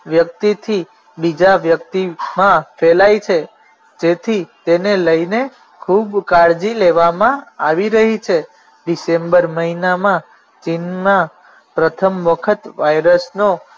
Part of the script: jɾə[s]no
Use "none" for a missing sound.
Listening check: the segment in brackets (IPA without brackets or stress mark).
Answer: s